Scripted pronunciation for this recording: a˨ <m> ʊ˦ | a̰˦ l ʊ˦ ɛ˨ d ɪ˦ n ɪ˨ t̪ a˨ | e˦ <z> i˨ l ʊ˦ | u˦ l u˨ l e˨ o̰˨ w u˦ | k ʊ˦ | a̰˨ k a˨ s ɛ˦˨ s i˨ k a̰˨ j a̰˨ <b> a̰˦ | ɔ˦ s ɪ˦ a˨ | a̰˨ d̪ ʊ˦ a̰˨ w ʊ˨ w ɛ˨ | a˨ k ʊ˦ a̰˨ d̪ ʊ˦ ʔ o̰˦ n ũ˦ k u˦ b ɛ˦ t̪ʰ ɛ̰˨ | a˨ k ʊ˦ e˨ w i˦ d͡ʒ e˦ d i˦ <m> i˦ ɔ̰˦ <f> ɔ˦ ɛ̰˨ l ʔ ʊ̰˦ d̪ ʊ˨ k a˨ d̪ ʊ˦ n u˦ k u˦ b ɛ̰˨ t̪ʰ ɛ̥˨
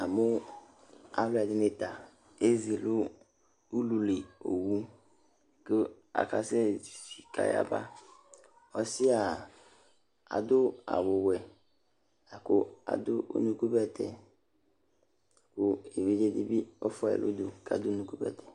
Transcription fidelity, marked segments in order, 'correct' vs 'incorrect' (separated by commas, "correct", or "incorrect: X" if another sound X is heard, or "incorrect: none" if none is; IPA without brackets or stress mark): correct, correct, correct, incorrect: b, correct